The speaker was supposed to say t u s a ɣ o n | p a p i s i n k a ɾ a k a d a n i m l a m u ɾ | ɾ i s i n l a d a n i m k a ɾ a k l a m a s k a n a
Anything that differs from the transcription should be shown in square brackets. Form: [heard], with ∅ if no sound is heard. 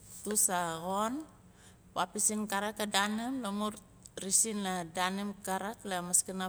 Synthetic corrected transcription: t u s a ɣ o n | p a p i s i n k a ɾ a k a d a n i m l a m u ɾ | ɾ i s i n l a d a n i m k a ɾ a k l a m a s k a n a